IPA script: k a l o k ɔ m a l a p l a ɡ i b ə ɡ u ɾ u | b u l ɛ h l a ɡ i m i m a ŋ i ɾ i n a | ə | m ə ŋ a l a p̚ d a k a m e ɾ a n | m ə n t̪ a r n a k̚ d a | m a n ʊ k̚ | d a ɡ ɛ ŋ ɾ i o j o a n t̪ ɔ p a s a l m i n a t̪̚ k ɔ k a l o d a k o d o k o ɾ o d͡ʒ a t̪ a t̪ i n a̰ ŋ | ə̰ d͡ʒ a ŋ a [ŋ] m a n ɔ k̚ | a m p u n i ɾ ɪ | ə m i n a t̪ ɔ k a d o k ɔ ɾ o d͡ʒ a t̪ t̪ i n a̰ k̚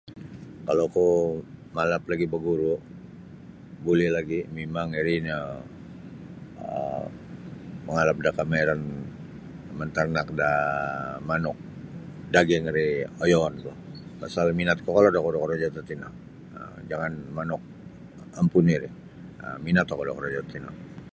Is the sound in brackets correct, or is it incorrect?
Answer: incorrect